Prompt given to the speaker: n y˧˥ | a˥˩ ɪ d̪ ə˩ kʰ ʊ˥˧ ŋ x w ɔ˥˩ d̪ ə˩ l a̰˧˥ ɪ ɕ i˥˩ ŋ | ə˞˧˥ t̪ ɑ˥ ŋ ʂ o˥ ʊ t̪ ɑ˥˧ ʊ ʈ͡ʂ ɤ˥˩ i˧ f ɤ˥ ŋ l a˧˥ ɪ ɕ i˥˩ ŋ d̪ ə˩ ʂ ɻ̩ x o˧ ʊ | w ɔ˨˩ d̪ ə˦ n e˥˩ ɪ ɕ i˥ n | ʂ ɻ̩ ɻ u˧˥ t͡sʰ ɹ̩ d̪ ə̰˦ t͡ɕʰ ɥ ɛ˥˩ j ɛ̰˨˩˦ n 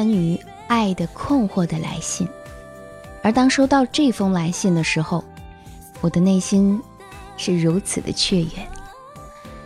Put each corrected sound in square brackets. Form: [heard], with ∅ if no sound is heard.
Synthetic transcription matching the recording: n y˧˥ | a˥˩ ɪ d̪ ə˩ kʰ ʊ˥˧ ŋ x w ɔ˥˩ d̪ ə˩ l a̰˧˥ ɪ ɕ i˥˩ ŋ | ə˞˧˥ t̪ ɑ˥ ŋ ʂ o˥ ʊ t̪ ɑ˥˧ ʊ ʈ͡ʂ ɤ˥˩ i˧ f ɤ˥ ŋ l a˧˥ ɪ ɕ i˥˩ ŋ d̪ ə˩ ʂ ɻ̩ x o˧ ʊ | w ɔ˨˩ d̪ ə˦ n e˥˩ ɪ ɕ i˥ n | ʂ ɻ̩ ɻ u˧˥ t͡sʰ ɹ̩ d̪ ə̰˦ t͡ɕʰ ɥ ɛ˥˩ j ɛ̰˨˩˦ n